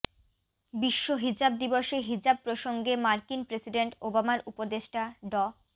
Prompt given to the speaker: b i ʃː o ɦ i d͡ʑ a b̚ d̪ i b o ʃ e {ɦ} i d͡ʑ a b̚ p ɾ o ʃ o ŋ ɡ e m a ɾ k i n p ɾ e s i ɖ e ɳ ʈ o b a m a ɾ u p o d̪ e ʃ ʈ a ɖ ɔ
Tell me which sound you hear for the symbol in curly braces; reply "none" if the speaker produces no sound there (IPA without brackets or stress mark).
ɦ